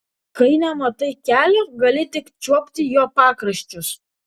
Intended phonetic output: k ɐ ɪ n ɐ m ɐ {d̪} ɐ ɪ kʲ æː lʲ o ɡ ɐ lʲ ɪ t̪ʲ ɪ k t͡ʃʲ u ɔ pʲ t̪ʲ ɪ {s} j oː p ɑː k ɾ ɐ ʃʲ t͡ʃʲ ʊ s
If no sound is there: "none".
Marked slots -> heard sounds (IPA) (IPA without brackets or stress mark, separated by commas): t̪, none